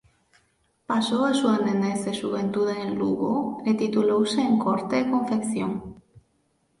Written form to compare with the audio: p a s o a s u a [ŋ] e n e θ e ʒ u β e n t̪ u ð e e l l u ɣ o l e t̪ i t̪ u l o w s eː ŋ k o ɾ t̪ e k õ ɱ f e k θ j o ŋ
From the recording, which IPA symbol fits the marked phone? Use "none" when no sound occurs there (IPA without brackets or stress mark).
n